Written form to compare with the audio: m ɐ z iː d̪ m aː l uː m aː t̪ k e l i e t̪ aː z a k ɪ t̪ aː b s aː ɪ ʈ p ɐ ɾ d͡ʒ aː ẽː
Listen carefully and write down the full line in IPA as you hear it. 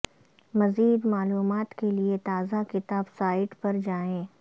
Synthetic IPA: m ɐ z iː d̪ m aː l uː m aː t̪ k e l i e t̪ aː z a k ɪ t̪ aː b s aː ɪ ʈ p ɐ ɾ d͡ʒ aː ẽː

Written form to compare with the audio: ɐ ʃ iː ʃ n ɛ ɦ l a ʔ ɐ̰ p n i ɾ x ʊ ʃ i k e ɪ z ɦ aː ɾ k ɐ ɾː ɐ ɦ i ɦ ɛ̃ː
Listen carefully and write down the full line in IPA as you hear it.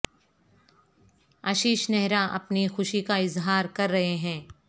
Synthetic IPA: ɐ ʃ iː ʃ n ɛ ɦ ɾ a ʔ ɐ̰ p n i x ʊ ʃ i k a ɪ z ɦ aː ɾ k ɐ ɾː ɐ ɦ e ɦ ɛ̃ː

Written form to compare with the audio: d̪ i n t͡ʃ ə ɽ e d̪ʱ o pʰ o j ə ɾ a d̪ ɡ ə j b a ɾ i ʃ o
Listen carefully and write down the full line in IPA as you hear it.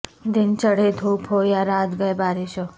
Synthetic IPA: d̪ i n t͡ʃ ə ɽ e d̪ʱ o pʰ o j a ɾ a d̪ ɡ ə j b a ɾ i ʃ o

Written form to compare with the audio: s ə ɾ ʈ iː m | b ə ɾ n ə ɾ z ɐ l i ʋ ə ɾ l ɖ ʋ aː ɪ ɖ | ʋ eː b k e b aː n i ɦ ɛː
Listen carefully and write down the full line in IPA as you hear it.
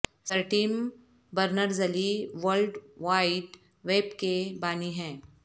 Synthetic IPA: s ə ɾ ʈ iː m | b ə ɾ n ə ɾ z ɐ l i ʋ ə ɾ l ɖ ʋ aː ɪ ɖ | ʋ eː b k e b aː n i ɦ ɛ̃ː

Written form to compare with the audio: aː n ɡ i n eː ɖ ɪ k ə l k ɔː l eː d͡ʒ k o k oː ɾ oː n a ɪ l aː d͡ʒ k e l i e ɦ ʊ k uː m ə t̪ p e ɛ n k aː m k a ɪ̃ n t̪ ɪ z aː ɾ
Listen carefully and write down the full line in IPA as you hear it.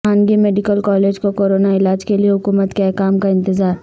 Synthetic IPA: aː n ɡ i m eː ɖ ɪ k ə l k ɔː l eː d͡ʒ k o k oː ɾ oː n a ɪ l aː d͡ʒ k e l i e ɦ ʊ k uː m ə t̪ k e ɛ k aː m k a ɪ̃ n t̪ ɪ z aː ɾ

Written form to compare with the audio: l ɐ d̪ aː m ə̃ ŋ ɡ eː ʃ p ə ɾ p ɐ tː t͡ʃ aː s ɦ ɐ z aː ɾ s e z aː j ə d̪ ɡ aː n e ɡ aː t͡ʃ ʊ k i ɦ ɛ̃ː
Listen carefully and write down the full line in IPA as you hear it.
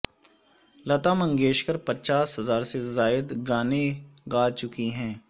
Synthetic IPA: l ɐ t̪ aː m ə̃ ŋ ɡ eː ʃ k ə ɾ p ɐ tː t͡ʃ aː s ɦ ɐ z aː ɾ s e z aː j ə d̪ ɡ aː n e ɡ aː t͡ʃ ʊ k i ɦ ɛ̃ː

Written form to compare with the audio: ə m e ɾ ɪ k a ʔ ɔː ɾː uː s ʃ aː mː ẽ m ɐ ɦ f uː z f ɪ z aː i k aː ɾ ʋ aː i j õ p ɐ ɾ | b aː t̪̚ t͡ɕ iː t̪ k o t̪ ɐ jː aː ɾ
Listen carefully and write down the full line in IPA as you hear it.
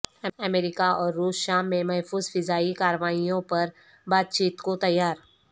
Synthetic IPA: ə m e ɾ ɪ k a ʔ ɔː ɾː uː s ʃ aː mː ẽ m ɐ ɦ f uː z f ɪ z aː i k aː ɾ ʋ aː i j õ p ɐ ɾ | b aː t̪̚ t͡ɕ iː t̪ k o t̪ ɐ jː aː ɾ

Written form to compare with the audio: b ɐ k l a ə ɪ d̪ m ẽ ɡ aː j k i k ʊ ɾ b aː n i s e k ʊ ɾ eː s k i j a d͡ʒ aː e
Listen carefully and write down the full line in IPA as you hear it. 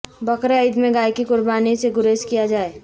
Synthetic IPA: b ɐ k ɾ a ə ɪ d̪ m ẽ ɡ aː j k i k ʊ ɾ b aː n i s e ɡ ʊ ɾ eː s k i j a d͡ʒ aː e

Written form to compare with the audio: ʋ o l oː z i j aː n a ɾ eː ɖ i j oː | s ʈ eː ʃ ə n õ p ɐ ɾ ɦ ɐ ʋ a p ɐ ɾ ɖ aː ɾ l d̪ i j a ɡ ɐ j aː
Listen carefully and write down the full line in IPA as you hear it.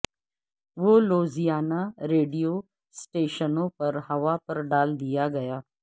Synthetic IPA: ʋ o l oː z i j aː n a ɾ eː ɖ i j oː | s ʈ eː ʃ ə n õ p ɐ ɾ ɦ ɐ ʋ a p ɐ ɾ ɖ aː l d̪ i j a ɡ ɐ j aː

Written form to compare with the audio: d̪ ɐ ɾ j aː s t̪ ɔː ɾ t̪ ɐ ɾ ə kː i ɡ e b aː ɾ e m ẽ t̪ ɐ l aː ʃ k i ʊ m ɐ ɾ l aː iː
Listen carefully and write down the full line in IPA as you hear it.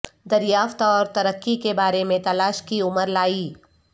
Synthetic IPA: d̪ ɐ ɾ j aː f t̪ ɔː ɾ t̪ ɐ ɾ ə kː i k e b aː ɾ e m ẽ t̪ ɐ l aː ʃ k i ʊ m ə ɾ l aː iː

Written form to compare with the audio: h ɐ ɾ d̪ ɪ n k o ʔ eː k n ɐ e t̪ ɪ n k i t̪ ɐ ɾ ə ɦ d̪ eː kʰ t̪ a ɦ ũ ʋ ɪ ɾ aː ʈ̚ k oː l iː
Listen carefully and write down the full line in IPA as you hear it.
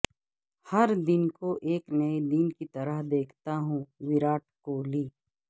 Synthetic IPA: h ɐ ɾ d̪ ɪ n k o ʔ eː k n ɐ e d̪ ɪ n k i t̪ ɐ ɾ ə ɦ d̪ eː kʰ t̪ a ɦ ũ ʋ ɪ ɾ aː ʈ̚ k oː l iː

